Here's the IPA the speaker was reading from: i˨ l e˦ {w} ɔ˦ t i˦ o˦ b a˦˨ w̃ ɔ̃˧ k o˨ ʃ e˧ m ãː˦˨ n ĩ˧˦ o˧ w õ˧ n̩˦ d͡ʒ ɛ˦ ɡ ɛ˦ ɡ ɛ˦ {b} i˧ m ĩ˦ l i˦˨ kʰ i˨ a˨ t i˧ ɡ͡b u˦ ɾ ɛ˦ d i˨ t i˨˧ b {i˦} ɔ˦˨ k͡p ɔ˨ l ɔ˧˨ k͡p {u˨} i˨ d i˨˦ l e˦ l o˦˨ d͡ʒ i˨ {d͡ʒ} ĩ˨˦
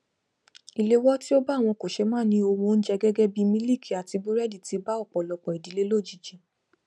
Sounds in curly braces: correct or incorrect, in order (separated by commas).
correct, correct, incorrect, incorrect, correct